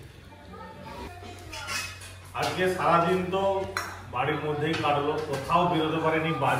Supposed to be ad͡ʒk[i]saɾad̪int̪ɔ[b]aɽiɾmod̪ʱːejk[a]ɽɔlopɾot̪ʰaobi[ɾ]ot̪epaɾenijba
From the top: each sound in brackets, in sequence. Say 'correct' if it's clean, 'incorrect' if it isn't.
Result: incorrect: e, correct, correct, correct

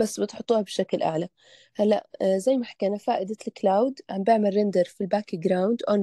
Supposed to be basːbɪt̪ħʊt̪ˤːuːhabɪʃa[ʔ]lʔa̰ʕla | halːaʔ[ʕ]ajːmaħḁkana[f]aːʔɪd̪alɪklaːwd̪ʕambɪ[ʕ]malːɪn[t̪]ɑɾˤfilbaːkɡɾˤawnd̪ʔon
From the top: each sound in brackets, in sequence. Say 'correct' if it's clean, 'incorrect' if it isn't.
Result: incorrect: k, incorrect: z, correct, correct, incorrect: d̪

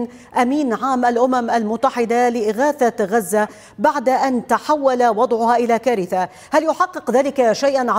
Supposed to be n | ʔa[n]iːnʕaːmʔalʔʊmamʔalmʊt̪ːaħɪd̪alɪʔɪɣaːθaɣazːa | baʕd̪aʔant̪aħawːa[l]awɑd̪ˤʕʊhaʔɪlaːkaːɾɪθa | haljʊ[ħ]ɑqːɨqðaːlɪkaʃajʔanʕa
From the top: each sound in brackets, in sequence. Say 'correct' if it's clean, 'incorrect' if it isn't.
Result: incorrect: m, correct, correct

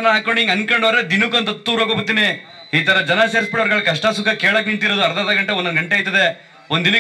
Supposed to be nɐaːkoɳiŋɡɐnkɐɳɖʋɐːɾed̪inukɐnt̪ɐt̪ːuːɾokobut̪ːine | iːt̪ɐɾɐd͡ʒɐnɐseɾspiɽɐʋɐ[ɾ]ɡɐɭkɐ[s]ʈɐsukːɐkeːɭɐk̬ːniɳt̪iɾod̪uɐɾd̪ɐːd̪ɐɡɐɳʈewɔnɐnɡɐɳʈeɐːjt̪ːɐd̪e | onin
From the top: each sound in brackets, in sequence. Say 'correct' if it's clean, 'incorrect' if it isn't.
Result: correct, incorrect: ʂ

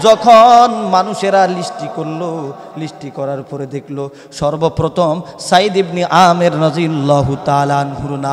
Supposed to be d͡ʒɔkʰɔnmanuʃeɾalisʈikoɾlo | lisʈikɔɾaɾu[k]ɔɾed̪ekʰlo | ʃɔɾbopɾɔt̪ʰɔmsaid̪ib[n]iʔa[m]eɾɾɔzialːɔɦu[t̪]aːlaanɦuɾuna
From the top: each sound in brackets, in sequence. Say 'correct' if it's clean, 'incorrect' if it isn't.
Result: incorrect: p, correct, correct, correct

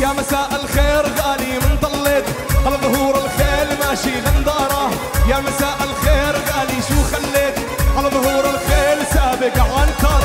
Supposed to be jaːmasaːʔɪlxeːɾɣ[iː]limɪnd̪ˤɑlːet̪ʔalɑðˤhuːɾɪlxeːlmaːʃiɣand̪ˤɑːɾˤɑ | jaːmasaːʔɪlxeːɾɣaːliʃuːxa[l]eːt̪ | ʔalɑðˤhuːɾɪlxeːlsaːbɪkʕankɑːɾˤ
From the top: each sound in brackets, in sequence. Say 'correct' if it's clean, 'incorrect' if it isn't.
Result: incorrect: aː, incorrect: lː

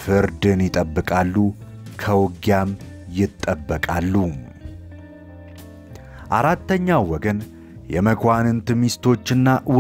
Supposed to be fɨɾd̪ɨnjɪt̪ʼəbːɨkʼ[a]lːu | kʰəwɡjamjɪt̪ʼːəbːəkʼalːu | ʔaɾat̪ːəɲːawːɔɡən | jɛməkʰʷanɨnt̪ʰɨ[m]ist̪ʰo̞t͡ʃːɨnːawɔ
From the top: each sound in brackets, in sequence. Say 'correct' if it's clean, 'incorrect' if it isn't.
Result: correct, correct

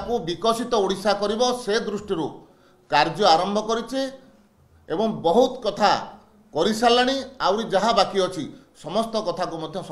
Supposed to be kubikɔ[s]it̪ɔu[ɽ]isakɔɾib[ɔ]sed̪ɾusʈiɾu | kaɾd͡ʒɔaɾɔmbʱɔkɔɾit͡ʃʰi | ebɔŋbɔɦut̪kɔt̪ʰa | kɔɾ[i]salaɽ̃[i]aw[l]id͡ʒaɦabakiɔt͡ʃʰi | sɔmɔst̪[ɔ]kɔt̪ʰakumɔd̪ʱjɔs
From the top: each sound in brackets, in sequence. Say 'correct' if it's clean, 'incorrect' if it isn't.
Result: correct, correct, correct, correct, correct, incorrect: ɾ, correct

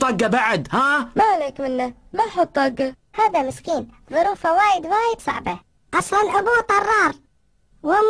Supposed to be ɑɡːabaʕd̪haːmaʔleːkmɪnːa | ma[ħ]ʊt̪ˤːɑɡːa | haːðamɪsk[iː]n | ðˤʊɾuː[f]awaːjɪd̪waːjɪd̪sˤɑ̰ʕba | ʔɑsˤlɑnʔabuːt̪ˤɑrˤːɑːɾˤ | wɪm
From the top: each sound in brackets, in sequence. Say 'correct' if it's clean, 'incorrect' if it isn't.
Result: correct, correct, correct

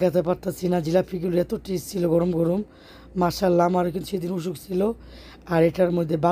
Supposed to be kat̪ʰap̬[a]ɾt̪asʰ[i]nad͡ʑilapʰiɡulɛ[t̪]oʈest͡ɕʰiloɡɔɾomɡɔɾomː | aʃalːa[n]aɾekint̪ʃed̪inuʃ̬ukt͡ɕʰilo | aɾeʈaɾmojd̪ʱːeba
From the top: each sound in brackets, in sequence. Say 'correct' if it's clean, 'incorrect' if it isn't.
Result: correct, correct, correct, incorrect: m

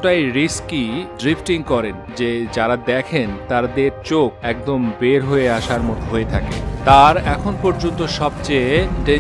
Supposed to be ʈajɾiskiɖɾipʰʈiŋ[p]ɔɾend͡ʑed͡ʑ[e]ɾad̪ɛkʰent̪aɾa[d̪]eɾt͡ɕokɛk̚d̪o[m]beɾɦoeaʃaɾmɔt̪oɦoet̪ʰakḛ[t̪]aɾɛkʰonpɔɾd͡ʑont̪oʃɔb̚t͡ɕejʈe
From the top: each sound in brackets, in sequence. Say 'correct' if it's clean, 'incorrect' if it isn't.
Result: incorrect: k, incorrect: a, correct, correct, correct

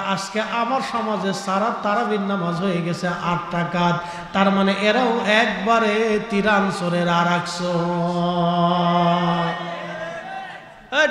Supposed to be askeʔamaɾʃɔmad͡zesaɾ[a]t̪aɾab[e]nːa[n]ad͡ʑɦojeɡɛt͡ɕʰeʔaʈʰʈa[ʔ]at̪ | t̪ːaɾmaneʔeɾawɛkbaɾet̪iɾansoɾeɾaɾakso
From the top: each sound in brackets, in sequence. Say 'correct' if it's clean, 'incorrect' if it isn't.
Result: correct, incorrect: i, incorrect: m, incorrect: k

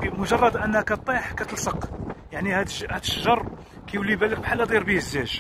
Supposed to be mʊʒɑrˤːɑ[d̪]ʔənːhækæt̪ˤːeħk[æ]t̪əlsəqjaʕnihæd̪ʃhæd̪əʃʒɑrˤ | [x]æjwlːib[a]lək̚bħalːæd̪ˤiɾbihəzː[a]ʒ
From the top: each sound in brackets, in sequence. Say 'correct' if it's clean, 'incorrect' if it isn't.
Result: correct, correct, incorrect: k, incorrect: æ, incorrect: æ

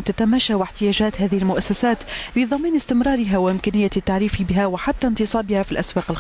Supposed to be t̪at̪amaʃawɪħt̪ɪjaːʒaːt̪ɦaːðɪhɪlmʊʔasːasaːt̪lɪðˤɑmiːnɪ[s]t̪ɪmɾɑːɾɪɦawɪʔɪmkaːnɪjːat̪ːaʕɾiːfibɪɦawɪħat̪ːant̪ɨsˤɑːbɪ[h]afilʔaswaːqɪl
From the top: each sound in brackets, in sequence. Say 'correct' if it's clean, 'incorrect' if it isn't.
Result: correct, correct

